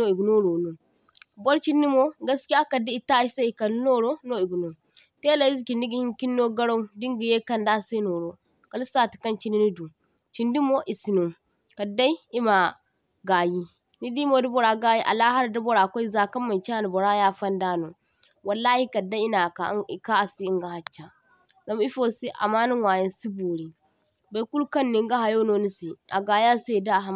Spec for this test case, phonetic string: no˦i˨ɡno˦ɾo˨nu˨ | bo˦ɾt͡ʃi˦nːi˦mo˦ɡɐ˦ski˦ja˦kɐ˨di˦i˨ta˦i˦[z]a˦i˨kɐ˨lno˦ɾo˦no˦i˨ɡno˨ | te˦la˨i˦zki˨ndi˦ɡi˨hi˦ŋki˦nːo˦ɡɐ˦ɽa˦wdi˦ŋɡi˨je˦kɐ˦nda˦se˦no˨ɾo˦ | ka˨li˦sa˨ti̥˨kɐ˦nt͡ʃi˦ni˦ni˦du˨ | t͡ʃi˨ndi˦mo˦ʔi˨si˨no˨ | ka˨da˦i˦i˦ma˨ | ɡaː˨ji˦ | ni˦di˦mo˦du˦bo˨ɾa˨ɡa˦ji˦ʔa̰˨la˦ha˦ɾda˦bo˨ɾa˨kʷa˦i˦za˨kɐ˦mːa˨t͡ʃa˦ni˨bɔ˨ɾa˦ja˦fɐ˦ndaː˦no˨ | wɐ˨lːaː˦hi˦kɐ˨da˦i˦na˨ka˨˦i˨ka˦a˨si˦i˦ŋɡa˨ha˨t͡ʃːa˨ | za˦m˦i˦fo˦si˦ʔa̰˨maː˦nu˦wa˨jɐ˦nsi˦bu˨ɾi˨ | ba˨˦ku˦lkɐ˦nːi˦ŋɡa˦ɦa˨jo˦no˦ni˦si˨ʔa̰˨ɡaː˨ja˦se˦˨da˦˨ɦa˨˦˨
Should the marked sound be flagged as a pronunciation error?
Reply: yes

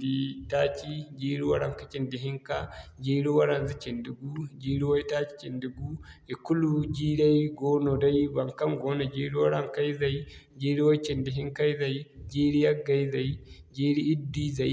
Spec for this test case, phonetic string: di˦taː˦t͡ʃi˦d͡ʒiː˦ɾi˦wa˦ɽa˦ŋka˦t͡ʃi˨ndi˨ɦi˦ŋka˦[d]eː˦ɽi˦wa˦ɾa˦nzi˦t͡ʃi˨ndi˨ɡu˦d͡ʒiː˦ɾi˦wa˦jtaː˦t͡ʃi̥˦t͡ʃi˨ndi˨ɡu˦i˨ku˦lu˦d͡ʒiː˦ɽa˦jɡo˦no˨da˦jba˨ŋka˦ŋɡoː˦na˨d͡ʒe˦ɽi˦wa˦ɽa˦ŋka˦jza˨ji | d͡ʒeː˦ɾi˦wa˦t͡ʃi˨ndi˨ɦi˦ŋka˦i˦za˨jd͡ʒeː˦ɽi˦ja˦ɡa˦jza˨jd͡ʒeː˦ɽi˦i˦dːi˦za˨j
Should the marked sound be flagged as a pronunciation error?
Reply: yes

